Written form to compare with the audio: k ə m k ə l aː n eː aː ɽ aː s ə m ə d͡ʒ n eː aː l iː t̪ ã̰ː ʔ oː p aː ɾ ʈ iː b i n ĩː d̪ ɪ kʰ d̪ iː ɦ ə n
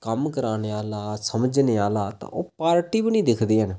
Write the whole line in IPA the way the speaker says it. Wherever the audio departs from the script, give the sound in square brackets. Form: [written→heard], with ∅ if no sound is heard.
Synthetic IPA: k ə m k ə [l→ɾ] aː n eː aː [ɽ→l] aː s ə m ə d͡ʒ n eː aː l [iː→aː] t̪ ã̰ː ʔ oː p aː ɾ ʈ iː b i n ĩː d̪ ɪ kʰ d̪ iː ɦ ə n